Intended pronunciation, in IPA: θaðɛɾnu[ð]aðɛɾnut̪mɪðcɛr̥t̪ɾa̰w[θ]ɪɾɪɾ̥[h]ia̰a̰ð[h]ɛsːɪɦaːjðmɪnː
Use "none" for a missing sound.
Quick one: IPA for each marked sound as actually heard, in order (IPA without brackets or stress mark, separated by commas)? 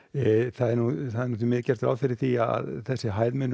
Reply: θ, f, θ, θ